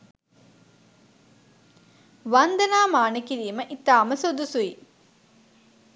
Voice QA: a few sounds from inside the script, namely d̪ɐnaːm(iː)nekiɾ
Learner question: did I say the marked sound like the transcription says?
no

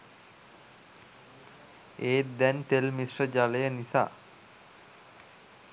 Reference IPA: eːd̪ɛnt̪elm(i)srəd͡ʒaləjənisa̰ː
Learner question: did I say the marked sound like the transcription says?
yes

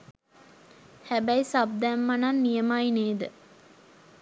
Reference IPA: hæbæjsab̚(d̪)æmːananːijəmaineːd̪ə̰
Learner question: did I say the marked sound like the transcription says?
yes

